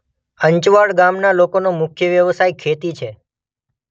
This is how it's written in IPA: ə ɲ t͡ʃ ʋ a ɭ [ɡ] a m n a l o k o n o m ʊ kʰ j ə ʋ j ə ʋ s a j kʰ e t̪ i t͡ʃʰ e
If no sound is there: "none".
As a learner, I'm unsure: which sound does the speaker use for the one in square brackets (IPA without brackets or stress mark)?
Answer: ɡ